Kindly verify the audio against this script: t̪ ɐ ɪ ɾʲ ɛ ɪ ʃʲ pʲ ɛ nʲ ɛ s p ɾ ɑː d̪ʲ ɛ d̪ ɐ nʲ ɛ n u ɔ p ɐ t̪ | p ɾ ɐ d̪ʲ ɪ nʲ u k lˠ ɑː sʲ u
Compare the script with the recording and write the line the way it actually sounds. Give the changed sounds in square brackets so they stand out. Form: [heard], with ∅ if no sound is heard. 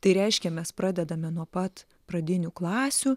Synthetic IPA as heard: t̪ ɐ ɪ ɾʲ ɛ ɪ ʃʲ [kʲ] ɛ [mʲ] ɛ s p ɾ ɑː d̪ʲ ɛ d̪ ɐ [mʲ] ɛ n u ɔ p ɐ t̪ | p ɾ ɐ d̪ʲ ɪ nʲ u k lˠ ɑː sʲ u